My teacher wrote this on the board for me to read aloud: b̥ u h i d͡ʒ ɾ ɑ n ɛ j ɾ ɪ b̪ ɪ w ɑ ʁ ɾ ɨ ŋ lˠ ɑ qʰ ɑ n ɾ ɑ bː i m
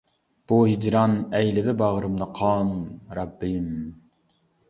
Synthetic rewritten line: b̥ u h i d͡ʒ ɾ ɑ n ɛ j l ɪ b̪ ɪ b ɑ ʁ ɾ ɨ m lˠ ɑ qʰ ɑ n ɾ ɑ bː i m